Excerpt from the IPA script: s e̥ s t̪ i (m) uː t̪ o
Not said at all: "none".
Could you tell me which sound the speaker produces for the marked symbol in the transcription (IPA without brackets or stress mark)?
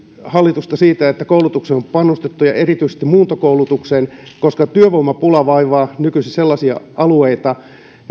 m